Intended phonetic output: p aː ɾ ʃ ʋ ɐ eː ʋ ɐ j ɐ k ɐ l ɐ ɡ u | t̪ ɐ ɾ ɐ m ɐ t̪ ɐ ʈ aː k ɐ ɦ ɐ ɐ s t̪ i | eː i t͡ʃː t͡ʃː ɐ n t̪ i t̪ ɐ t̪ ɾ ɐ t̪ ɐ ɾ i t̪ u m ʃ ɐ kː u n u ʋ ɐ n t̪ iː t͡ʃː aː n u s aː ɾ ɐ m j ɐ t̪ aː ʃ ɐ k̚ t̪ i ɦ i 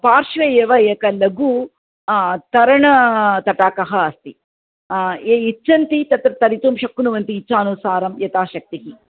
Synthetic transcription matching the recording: p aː ɾ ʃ ʋ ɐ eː ʋ ɐ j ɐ k ɐ l ɐ ɡ u | t̪ ɐ ɾ ɐ ɳ ɐ t̪ ɐ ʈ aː k ɐ ɦ ɐ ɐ s t̪ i | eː i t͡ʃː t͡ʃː ɐ n t̪ i t̪ ɐ t̪ ɾ ɐ t̪ ɐ ɾ i t̪ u m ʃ ɐ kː u n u ʋ ɐ n t̪ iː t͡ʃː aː n u s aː ɾ ɐ m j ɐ t̪ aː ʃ ɐ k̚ t̪ i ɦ i

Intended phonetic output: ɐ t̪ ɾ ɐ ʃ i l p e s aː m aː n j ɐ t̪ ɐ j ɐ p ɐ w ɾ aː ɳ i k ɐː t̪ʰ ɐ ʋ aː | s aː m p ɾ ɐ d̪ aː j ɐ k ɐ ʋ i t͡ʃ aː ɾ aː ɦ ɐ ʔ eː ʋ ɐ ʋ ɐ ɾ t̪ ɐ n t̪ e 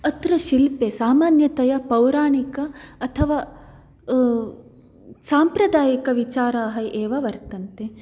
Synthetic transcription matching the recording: ɐ t̪ ɾ ɐ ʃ i l p e s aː m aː n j ɐ t̪ ɐ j ɐ p ɐ w ɾ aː ɳ i k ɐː t̪ʰ ɐ ʋ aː | s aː m p ɾ ɐ d̪ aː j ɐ k ɐ ʋ i t͡ʃ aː ɾ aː ɦ ɐ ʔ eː ʋ ɐ ʋ ɐ ɾ t̪ ɐ n t̪ e

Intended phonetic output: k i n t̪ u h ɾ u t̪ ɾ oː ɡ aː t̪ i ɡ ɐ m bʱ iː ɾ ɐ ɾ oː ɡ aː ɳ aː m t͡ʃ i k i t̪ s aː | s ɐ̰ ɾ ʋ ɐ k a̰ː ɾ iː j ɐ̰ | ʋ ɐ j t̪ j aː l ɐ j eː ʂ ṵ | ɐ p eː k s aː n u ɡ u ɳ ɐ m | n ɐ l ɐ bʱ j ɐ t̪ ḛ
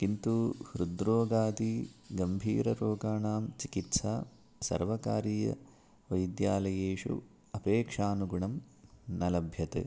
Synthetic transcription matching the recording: k i n t̪ u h ɾ u d̪ ɾ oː ɡ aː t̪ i ɡ ɐ m bʱ iː ɾ ɐ ɾ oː ɡ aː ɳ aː m t͡ʃ i k i t̪ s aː | s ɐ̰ ɾ ʋ ɐ k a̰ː ɾ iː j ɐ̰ | ʋ ɐ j d̪ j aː l ɐ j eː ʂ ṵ | ɐ p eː k ʂ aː n u ɡ u ɳ ɐ m | n ɐ l ɐ bʱ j ɐ t̪ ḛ

